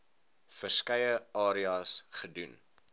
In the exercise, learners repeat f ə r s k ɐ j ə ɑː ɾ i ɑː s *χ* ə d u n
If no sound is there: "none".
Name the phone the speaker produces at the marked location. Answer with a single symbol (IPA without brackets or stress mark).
χ